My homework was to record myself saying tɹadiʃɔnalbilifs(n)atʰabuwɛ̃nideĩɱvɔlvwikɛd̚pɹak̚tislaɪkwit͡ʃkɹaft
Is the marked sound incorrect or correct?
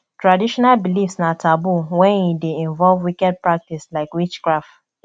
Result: correct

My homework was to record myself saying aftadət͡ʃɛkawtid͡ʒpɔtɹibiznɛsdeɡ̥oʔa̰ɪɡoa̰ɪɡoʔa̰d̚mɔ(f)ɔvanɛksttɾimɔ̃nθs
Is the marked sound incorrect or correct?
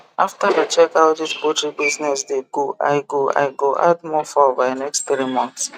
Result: correct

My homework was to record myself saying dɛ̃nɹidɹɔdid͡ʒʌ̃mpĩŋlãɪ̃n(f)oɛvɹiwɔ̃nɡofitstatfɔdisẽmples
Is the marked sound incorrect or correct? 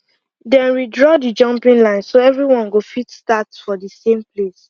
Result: incorrect: s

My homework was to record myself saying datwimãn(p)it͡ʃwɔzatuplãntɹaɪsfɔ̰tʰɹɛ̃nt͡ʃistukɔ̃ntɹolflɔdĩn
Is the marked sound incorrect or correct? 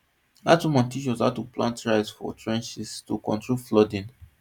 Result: incorrect: t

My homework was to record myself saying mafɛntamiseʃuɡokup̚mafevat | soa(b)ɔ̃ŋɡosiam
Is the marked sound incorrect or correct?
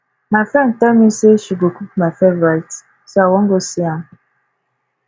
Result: incorrect: w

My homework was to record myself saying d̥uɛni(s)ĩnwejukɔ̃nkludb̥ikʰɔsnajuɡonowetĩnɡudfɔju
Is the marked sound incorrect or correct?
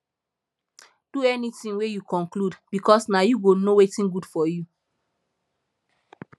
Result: incorrect: t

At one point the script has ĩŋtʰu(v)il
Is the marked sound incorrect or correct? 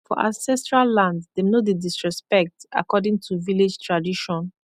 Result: correct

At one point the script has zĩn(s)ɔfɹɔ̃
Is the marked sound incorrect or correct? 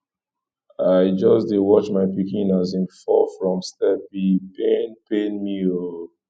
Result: incorrect: f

